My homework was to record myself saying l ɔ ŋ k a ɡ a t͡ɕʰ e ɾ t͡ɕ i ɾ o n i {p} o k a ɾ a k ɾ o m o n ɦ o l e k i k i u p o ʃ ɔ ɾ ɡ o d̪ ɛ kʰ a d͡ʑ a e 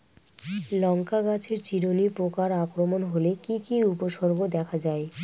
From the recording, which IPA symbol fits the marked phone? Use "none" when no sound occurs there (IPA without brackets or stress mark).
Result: p